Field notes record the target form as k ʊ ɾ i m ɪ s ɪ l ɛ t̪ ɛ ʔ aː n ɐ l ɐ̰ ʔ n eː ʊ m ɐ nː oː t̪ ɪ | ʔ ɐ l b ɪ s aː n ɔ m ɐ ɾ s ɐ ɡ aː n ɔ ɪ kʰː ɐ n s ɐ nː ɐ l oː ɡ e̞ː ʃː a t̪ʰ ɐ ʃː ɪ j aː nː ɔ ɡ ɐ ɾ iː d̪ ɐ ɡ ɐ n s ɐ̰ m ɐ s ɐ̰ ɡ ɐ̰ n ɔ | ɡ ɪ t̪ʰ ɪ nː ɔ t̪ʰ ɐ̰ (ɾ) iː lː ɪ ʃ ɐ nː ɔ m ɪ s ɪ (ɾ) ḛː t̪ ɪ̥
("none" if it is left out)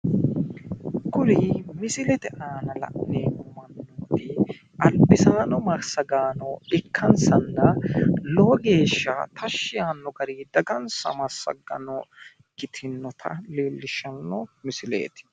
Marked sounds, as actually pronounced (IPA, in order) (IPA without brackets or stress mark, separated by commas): l, l